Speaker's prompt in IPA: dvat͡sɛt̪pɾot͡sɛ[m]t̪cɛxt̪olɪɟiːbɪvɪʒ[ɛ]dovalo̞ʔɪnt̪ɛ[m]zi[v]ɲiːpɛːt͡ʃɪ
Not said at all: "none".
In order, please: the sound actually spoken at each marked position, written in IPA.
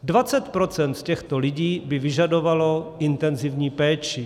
n, a, n, v

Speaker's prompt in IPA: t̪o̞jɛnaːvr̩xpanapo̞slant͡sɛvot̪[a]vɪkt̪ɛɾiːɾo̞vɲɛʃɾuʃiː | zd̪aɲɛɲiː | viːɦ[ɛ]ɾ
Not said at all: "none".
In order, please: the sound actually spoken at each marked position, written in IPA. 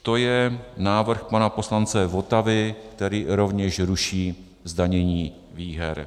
a, ɛ

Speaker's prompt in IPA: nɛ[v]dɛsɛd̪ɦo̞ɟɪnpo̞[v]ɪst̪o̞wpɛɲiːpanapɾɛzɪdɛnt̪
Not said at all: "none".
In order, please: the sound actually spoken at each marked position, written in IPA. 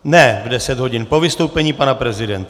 v, v

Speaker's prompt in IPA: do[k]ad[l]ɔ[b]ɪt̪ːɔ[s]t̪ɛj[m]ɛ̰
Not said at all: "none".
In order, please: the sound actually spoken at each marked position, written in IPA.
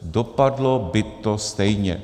p, l, b, s, ɲ

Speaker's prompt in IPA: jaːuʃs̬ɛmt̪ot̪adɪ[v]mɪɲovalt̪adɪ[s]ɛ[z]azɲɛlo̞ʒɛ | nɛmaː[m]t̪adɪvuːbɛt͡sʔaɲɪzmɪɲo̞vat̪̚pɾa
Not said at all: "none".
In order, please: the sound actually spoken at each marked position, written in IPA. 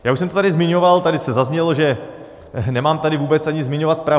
z, s, z, m

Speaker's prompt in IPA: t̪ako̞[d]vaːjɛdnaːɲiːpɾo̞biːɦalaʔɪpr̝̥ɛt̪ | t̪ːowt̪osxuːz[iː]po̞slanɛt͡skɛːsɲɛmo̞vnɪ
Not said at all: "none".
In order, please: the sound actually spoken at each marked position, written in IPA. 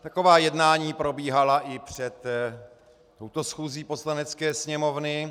none, iː

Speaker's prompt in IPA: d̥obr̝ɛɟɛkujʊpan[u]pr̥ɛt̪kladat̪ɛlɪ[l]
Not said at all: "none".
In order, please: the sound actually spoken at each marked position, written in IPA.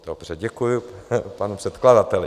u, none

